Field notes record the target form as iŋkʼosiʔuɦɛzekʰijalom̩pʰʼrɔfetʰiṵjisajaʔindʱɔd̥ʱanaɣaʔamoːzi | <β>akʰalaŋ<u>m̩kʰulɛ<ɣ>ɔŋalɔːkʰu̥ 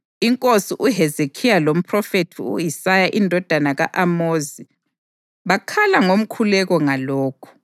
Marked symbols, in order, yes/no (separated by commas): yes, no, yes